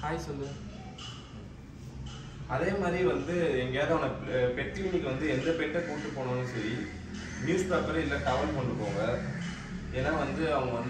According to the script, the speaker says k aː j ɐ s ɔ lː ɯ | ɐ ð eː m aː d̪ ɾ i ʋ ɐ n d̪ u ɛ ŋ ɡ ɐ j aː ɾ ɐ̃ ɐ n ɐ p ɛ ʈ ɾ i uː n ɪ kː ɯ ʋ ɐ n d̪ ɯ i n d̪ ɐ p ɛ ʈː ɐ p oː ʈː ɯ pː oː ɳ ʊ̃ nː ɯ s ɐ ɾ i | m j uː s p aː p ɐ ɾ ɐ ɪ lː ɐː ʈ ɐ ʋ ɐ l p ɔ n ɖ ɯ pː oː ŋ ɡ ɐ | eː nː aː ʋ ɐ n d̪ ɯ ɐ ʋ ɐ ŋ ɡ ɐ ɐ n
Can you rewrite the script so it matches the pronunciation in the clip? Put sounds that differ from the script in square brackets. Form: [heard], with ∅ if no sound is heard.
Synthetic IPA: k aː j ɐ s ɔ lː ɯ | ɐ ð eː m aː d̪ ɾ i ʋ ɐ n d̪ [ɯ] ɛ ŋ ɡ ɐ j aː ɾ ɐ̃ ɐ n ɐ p ɛ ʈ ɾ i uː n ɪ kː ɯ ʋ ɐ n d̪ ɯ [ɛ] n d̪ ɐ p ɛ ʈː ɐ p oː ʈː ɯ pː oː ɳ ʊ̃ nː ɯ s ɐ ɾ i | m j uː s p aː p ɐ ɾ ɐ ɪ lː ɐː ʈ ɐ ʋ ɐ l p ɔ [ɳ] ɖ ɯ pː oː ŋ ɡ ɐ | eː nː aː ʋ ɐ n d̪ ɯ ɐ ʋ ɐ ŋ ɡ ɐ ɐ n